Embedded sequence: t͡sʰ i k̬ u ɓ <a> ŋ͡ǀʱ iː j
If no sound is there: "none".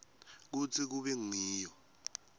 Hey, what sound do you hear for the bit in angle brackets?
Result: ɛ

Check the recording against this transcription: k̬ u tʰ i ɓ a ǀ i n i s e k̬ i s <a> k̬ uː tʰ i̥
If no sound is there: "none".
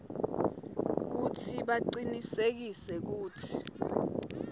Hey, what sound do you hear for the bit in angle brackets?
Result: ɛ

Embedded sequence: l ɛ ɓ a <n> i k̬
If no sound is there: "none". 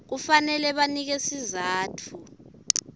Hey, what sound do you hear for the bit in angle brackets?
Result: n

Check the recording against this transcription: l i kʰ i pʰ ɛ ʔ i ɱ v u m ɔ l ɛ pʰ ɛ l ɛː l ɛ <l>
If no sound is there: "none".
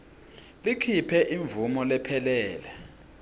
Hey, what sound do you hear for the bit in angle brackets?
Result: none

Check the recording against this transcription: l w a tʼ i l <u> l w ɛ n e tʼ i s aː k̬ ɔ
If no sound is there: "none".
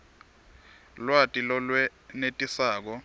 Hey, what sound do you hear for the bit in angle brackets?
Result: ɔ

